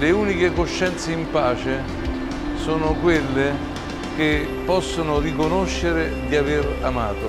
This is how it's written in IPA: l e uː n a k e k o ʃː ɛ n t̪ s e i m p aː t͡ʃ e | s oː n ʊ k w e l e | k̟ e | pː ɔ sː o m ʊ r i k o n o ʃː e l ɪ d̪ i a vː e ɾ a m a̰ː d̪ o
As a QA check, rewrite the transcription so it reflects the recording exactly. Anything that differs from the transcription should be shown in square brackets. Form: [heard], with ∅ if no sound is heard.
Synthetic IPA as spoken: l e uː n [i] k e k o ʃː ɛ n t̪ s e i m p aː t͡ʃ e | s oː n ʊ k w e [lː] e | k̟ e | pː ɔ sː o [n] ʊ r i k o n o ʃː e [ɾ] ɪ d̪ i a [v] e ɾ a m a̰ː [t̪] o

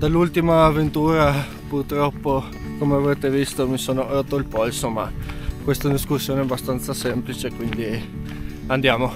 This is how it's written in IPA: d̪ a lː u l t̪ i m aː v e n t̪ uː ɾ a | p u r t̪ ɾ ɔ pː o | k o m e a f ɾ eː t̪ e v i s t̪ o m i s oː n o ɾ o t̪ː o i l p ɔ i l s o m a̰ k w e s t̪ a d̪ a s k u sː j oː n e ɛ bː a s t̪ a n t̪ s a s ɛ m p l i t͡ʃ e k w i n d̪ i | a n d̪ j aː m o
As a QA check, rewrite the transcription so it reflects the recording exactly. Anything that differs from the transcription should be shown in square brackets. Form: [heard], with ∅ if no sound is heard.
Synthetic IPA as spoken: d̪ a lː u l t̪ i m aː v e n t̪ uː ɾ a | p u r t̪ ɾ ɔ pː o | k o m e a [v] ɾ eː t̪ e v i s t̪ o m i s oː n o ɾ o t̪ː o i l p ɔ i l s o m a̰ k w e s t̪ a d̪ [i] s k u sː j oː n e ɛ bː a s t̪ a n t̪ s a s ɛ m p l i t͡ʃ e k w i n d̪ i | a n d̪ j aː m o

